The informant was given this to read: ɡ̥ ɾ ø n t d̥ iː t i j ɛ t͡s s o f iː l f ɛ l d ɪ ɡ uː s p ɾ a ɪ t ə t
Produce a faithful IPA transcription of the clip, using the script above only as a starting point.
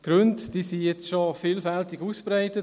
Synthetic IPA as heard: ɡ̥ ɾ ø n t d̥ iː s i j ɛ t͡s ʃ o f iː l f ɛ l t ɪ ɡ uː s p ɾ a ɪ t ə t